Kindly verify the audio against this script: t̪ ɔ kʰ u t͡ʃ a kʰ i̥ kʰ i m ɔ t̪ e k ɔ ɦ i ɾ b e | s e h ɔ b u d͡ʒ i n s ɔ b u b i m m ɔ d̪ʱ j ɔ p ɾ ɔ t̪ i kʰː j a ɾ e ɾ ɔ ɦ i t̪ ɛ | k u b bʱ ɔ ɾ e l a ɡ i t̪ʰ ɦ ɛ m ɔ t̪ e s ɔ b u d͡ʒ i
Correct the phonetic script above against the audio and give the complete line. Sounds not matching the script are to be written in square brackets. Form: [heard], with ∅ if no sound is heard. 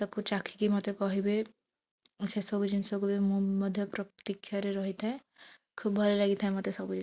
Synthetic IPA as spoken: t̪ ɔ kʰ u t͡ʃ a kʰ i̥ [k] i m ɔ t̪ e k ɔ ɦ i [∅] b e | s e [s] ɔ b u d͡ʒ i n s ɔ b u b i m m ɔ d̪ʱ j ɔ p ɾ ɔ t̪ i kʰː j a ɾ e ɾ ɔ ɦ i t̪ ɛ | [kʰ] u b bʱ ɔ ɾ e l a ɡ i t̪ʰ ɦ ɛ m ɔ t̪ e s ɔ b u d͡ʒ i